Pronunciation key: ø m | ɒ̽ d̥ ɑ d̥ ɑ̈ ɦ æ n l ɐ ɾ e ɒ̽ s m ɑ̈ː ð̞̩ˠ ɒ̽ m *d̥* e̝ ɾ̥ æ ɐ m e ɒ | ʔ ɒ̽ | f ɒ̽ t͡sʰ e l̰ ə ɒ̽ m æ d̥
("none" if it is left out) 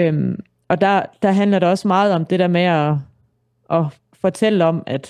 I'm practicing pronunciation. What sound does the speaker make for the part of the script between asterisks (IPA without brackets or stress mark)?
d̥